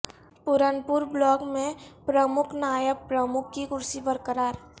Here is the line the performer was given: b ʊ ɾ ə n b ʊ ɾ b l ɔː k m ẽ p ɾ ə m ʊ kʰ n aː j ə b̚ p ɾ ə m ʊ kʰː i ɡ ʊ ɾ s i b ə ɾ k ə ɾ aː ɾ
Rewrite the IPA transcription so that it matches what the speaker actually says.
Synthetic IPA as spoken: p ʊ ɾ ə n p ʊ ɾ b l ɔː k m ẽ p ɾ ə m ʊ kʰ n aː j ə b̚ p ɾ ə m ʊ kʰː i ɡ ʊ ɾ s i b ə ɾ k ə ɾ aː ɾ

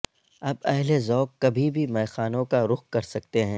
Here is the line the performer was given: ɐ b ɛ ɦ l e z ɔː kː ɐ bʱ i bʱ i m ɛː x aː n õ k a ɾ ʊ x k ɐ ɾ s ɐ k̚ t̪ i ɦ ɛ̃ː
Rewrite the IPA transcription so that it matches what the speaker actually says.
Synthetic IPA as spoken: ɐ b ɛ ɦ l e z ɔː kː ɐ bʱ i bʱ i m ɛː x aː n õ k a ɾ ʊ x k ɐ ɾ s ɐ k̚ t̪ e ɦ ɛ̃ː

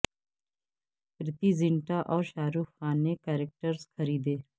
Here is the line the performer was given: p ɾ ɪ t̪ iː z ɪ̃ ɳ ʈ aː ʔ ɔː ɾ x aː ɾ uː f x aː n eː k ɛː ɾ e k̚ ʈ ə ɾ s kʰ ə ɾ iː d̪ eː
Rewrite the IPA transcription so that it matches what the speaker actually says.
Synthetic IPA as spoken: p ɾ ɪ t̪ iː z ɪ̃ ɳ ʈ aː ʔ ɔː ɾ ʃ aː ɾ uː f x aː n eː k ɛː ɾ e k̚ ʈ ə ɾ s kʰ ə ɾ iː d̪ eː

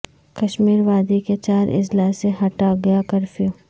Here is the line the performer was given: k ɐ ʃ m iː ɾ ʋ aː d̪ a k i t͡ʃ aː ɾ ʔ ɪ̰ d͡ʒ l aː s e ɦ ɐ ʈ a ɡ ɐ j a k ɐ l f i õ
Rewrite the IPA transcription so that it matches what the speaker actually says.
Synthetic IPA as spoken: k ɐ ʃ m iː ɾ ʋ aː d̪ i k e t͡ʃ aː ɾ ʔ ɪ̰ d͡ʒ l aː s e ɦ ɐ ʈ a ɡ ɐ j a k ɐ ɾ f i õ

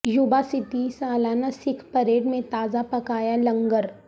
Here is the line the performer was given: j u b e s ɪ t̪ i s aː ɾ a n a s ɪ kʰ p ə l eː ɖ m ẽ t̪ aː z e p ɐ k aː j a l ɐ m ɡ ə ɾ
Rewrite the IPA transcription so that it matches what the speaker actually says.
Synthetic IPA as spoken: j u b a s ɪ t̪ i s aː l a n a s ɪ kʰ p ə ɾ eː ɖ m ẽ t̪ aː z a p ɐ k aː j a l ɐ ŋ ɡ ə ɾ

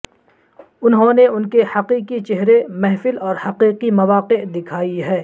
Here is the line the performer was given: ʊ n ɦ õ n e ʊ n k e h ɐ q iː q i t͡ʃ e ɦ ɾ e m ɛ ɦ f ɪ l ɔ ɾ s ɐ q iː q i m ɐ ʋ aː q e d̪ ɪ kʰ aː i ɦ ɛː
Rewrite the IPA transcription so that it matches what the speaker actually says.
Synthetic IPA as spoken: ʊ n ɦ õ n e ʊ n k e h ɐ q iː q i t͡ʃ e ɦ ɾ e m ɛ ɦ f ɪ l ɔː ɾ h ɐ q iː q i m ɐ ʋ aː q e d̪ ɪ kʰ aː i ɦ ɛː

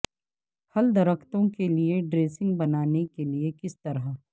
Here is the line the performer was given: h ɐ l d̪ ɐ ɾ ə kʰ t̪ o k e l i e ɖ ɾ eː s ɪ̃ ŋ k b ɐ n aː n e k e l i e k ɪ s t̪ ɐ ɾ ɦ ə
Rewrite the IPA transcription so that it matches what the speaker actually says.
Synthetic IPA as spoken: h ɐ l d̪ ɐ ɾ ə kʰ t̪ õ k e l i e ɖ ɾ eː s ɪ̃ ŋ ɡ b ɐ n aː n e k e l i e k ɪ s t̪ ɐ ɾ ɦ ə

